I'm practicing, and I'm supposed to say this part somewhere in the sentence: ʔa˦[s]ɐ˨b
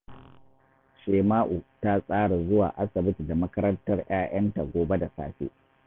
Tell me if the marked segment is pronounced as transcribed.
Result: yes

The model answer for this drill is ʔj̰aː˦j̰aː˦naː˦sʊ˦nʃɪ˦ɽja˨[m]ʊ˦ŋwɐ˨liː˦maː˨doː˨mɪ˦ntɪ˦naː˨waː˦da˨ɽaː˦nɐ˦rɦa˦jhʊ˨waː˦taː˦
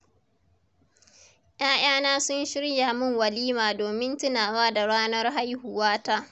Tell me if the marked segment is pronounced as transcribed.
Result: yes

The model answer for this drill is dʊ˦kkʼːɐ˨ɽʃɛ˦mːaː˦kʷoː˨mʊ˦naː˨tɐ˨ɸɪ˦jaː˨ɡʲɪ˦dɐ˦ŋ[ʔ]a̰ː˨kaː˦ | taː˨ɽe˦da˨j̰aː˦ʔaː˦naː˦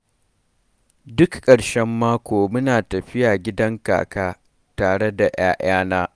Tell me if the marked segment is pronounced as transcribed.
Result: no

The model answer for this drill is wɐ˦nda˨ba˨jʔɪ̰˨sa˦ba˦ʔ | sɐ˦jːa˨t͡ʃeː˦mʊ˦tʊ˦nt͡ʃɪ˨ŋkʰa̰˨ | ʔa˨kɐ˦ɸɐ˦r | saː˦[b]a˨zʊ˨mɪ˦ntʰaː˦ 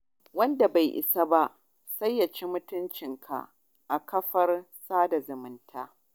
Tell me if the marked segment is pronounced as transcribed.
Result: no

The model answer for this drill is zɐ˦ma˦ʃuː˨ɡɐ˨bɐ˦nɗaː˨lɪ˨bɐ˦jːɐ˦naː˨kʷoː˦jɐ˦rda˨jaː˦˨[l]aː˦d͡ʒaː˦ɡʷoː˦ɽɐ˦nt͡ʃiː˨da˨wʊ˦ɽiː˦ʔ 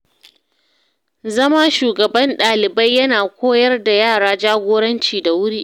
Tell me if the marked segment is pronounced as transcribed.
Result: no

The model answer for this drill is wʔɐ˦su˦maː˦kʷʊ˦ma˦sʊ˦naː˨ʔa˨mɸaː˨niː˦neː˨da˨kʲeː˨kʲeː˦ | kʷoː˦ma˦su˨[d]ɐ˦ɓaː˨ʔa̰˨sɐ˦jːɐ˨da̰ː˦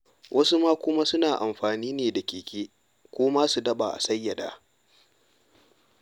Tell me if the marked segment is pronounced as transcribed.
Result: yes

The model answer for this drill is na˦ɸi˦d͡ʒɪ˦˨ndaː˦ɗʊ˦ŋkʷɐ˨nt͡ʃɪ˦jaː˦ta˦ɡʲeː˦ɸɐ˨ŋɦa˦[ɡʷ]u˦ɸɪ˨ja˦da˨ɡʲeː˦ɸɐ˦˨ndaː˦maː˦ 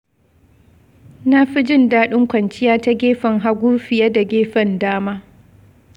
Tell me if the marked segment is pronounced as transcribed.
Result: yes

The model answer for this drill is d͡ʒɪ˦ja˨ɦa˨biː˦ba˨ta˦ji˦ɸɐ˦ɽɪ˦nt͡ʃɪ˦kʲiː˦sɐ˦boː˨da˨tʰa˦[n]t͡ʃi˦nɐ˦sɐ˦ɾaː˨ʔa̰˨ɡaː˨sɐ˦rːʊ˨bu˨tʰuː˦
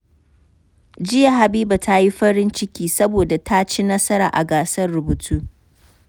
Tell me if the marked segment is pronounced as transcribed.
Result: no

